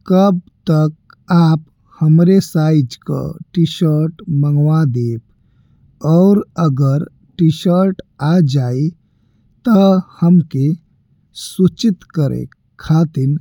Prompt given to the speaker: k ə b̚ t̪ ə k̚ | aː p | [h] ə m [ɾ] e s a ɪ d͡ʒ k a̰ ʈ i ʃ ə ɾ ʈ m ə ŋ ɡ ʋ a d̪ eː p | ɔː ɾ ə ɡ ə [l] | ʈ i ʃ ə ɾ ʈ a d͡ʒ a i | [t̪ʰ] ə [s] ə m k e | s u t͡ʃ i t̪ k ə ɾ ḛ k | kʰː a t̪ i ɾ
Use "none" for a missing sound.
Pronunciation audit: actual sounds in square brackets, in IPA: h, ɾ, ɾ, t̪, h

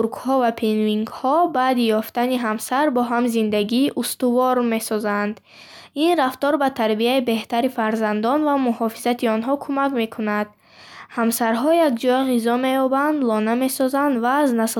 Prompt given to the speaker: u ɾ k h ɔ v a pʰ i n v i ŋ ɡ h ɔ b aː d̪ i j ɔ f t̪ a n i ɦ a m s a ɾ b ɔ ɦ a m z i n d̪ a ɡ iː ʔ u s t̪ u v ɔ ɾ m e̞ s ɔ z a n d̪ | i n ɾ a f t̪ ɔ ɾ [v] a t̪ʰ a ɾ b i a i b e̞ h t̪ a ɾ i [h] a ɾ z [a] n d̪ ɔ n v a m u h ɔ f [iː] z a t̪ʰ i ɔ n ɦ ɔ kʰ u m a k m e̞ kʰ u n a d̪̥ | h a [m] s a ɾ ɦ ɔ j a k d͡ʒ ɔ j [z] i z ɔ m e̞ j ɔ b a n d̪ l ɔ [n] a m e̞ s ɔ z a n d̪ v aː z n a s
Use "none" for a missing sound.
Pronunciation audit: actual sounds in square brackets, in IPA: b, f, a, i, m, ʁ, n

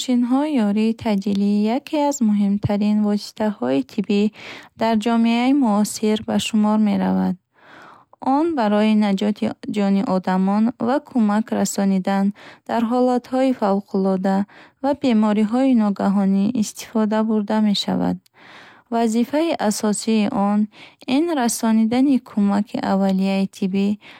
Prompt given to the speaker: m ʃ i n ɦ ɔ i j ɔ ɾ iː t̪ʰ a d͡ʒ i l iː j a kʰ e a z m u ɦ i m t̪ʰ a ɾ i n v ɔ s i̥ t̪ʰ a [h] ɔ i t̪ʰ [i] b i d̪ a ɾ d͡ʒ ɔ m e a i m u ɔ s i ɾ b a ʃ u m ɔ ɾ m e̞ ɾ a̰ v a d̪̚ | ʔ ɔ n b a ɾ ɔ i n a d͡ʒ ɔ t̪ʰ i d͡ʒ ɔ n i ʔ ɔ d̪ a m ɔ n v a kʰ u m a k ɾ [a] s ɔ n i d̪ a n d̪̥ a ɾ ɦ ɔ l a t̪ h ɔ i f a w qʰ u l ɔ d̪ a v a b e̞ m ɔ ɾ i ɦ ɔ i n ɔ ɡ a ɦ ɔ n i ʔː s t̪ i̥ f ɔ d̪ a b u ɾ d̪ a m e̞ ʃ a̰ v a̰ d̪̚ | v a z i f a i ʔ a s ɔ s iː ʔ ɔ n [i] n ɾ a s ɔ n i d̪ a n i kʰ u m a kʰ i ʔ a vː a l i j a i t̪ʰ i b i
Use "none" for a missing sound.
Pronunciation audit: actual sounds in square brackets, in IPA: h, i, a, i

